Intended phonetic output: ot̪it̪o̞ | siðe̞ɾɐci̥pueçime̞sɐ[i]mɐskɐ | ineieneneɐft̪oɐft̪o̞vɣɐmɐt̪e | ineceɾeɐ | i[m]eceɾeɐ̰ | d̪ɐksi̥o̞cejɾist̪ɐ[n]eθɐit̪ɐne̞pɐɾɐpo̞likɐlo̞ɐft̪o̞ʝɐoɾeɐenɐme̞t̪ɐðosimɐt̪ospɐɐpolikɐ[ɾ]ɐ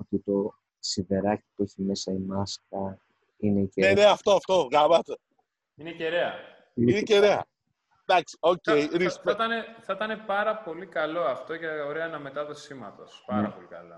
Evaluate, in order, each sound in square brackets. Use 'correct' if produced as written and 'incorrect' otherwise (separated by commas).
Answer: correct, incorrect, correct, incorrect